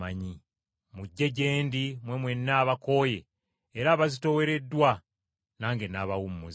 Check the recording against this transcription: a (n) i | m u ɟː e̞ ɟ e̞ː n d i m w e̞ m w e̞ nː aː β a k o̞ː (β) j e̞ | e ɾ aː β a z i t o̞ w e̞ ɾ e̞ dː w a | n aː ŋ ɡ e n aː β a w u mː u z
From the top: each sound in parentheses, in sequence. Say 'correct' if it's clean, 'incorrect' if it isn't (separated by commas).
incorrect, incorrect